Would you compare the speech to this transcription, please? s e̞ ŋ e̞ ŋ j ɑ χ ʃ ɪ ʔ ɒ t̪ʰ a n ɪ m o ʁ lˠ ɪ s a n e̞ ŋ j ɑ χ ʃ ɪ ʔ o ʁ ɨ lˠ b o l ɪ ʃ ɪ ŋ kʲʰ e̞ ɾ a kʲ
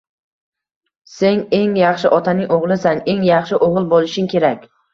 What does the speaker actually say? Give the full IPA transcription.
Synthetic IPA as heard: s e̞ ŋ e̞ ŋ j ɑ χ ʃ ɪ ʔ ɒ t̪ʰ a n ɪ ŋ o ʁ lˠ ɪ s a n e̞ ŋ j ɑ χ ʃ ɪ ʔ o ʁ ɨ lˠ b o l ɪ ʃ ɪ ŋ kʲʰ e̞ ɾ a kʲ